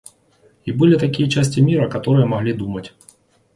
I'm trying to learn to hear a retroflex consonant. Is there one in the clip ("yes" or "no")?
no